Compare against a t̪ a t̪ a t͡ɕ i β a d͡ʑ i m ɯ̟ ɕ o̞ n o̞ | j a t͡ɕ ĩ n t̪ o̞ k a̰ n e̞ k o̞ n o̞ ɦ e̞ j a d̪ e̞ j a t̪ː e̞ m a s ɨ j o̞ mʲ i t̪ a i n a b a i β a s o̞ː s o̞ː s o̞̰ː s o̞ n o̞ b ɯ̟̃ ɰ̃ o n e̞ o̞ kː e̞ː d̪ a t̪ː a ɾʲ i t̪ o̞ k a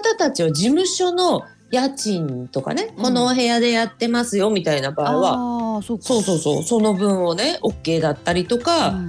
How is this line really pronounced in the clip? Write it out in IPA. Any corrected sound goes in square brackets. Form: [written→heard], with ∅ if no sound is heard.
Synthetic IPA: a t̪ a t̪ a t͡ɕ i β a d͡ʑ i m ɯ̟ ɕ o̞ n o̞ | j a t͡ɕ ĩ n t̪ o̞ k a̰ n e̞ k o̞ n o̞ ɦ e̞ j a d̪ e̞ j a t̪ː e̞ m a s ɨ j o̞ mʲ i t̪ a i n a b a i β a s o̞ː s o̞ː s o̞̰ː s o̞ n o̞ b ɯ̟̃ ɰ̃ o n e̞ o̞ kː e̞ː d̪ a t̪ː a ɾʲ i t̪ o̞ k a